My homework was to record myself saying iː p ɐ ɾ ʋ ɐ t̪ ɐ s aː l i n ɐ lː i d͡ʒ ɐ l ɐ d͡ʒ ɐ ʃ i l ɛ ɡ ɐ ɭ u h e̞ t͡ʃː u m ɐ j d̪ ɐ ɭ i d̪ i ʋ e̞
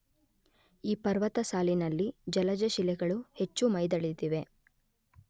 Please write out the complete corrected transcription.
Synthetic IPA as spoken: iː p ɐ ɾ ʋ ɐ t̪ ɐ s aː l i n ɐ lː i d͡ʒ ɐ l ɐ d͡ʒ ɐ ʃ i l ɛ ɡ ɐ ɭ u h e̞ t͡ʃː u m ɐ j d̪ ɐ ɭ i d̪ i ʋ e̞